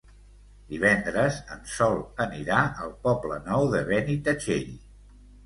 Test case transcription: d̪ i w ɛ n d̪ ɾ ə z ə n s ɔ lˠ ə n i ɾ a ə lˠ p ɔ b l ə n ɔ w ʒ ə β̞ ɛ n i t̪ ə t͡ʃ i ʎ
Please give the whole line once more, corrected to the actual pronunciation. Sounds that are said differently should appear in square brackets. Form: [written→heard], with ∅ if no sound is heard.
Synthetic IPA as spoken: d̪ i [w→β] ɛ n d̪ ɾ ə z ə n s ɔ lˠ ə n i ɾ a ə lˠ p ɔ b l ə n ɔ w [ʒ→ð] ə β̞ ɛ n i t̪ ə t͡ʃ [i→e] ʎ

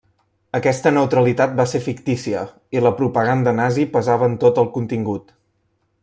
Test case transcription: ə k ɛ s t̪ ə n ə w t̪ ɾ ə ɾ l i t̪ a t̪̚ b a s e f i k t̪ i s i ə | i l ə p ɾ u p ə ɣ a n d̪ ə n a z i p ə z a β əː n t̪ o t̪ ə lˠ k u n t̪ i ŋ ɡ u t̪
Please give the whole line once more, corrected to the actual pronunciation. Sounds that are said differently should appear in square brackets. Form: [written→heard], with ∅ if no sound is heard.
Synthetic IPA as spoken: ə k ɛ s t̪ ə n ə w t̪ ɾ ə [ɾ→∅] l i t̪ a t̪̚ b a s e f i k t̪ i s i ə | i l ə p ɾ u p ə ɣ a n d̪ ə n a z i p ə z a β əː n t̪ o t̪ ə lˠ k u n t̪ i ŋ ɡ u t̪

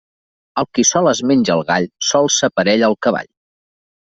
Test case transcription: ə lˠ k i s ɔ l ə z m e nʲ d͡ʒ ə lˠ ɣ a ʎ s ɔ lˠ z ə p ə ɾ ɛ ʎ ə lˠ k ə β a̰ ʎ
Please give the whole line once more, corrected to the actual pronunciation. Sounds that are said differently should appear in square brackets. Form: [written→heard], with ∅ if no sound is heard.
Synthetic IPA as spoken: ə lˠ k i s ɔ l ə z m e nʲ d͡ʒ ə lˠ ɣ a ʎ s ɔ lˠ [z→s] ə p ə ɾ ɛ ʎ ə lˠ k ə β a̰ ʎ

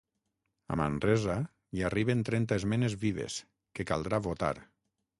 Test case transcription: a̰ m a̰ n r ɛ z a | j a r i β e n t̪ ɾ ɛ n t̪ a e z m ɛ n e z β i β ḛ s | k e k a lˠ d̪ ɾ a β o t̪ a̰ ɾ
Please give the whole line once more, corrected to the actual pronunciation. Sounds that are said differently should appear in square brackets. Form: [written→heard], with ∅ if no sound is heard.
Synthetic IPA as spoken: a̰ m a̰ n r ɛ z a | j a r i β e n t̪ ɾ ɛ n t̪ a e z m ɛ n e z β i β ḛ s | k e k a lˠ d̪ ɾ a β o t̪ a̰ ɾ

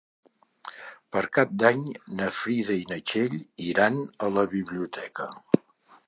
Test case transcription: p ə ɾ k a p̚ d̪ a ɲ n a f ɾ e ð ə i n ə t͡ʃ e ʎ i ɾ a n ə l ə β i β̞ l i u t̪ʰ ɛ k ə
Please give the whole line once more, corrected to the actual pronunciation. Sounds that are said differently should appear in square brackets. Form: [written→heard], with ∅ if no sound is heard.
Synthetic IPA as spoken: p ə ɾ k a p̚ d̪ a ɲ n [a→ə] f ɾ [e→i] ð ə i n ə t͡ʃ e ʎ i ɾ a n ə l ə β i β̞ l i u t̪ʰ ɛ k ə

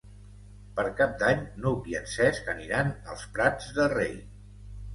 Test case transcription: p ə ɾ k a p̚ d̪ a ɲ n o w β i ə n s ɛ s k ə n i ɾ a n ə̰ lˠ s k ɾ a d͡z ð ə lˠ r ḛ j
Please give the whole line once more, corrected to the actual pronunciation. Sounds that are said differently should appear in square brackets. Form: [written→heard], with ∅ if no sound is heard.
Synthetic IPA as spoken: p ə ɾ k a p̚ d̪ a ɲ n o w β i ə n s ɛ s k ə n i ɾ a n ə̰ lˠ s [k→p] ɾ a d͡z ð ə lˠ r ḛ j

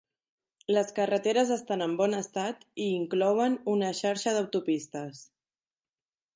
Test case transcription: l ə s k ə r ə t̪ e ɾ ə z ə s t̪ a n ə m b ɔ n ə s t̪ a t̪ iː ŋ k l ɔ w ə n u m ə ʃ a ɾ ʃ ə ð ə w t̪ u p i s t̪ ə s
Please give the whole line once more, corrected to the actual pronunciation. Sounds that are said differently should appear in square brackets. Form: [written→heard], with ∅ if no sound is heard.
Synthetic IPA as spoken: l ə s k ə r ə t̪ e ɾ ə z ə s t̪ a n ə m b ɔ n ə s t̪ a t̪ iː ŋ k l ɔ w ə n u [m→n] ə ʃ a ɾ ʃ ə ð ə w t̪ u p i s t̪ ə s

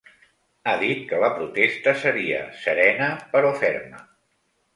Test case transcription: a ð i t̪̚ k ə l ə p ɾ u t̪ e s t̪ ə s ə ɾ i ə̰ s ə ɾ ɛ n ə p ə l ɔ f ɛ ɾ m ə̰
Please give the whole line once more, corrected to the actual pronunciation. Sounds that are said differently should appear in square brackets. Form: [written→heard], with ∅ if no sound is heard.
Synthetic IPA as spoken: a ð i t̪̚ k ə l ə p ɾ u t̪ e s t̪ ə s ə ɾ i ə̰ s ə ɾ ɛ n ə p ə [l→ɾ] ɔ f ɛ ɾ m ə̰

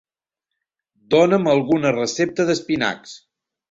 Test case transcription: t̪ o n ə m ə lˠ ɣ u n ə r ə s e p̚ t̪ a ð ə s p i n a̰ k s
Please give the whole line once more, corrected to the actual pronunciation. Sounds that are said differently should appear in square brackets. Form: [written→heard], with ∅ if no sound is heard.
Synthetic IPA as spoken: [t̪→d̪] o n ə m ə lˠ ɣ u n ə r ə s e p̚ t̪ [a→ə] ð ə s p i n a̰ k s

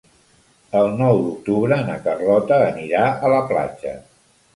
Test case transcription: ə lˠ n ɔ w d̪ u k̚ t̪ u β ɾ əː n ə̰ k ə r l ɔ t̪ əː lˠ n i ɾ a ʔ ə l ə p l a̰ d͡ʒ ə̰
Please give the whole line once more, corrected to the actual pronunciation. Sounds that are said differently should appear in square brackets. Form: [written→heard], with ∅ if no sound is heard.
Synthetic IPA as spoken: ə lˠ n ɔ w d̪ u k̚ t̪ u β ɾ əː n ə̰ k ə r l ɔ t̪ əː [lˠ→∅] n i ɾ a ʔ ə l ə p l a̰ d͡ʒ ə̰

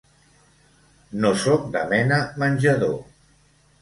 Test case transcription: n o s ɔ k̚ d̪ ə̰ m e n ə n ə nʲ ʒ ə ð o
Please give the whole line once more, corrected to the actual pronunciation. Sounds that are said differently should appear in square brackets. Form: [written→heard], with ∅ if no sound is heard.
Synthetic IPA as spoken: n o s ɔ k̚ d̪ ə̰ m [e→ɛ] n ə [n→m] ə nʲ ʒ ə ð o

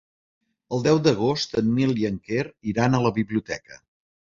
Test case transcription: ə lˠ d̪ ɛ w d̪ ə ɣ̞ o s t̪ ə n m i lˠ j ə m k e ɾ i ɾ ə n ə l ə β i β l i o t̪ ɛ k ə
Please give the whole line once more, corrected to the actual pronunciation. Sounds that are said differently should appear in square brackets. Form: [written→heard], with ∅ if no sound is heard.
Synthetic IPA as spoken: ə lˠ d̪ ɛ w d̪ ə ɣ̞ o s t̪ ə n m i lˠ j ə [m→ŋ] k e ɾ i ɾ [ə→a] n ə l ə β i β l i [o→u] t̪ ɛ k ə

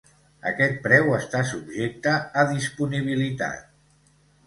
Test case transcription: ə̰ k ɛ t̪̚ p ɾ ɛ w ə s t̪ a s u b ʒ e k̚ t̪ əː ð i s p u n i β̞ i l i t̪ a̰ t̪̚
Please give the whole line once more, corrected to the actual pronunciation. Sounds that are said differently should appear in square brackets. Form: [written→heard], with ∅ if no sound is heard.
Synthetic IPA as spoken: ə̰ k ɛ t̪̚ p ɾ ɛ w ə s t̪ a s u b ʒ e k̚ t̪ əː ð i s p u n i β̞ i l i t̪ a̰ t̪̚

